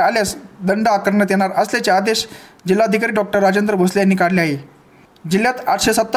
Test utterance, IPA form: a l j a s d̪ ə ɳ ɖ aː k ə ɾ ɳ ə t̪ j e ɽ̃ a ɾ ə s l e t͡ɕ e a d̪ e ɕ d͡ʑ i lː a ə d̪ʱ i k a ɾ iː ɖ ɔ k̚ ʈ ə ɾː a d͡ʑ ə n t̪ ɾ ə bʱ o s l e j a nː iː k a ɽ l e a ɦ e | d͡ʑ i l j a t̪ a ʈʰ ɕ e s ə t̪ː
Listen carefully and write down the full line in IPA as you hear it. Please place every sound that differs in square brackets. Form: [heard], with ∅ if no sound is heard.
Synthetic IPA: a l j a s d̪ ə ɳ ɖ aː k ə ɾ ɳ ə t̪ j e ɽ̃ a ɾ ə s l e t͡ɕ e a d̪ e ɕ d͡ʑ i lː a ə d̪ʱ i k a ɾ iː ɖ ɔ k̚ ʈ ə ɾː a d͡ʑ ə n [d̪] ɾ ə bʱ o s l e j a nː iː k a ɽ l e a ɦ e | d͡ʑ i l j a t̪ a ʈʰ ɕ e s ə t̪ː